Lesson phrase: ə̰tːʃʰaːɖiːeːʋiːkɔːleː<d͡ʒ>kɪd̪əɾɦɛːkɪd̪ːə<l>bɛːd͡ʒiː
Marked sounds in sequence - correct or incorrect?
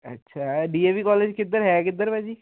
correct, incorrect

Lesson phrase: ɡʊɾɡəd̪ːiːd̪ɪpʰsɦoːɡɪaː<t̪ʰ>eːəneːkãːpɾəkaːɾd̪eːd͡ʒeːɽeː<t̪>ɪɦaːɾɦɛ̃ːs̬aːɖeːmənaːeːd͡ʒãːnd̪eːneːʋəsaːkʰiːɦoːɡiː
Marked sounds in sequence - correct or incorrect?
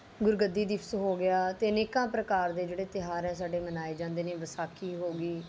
incorrect, correct

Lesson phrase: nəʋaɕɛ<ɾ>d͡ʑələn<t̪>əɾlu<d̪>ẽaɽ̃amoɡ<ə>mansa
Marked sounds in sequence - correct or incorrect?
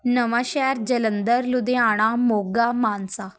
correct, incorrect, correct, incorrect

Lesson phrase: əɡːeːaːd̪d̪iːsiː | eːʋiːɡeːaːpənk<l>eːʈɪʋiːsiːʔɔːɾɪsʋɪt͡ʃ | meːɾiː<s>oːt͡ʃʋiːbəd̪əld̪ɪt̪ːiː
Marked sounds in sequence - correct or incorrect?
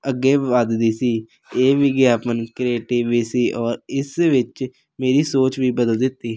incorrect, correct

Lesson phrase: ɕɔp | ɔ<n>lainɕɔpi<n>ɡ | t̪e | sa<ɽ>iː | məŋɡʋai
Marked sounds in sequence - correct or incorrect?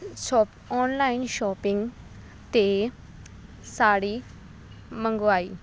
correct, incorrect, correct

